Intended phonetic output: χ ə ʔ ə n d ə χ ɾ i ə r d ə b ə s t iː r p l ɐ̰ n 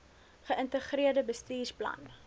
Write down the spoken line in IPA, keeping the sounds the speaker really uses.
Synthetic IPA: χ ə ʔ ə n t ə χ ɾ i ə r d ə b ə s t iː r p l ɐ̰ n